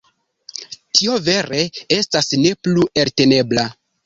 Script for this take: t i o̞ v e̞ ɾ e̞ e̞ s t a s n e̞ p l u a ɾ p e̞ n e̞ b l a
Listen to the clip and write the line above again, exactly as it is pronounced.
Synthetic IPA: t i o̞ v e̞ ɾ e̞ e̞ s t a s n e̞ p l u e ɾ t e̞ n e̞ b l a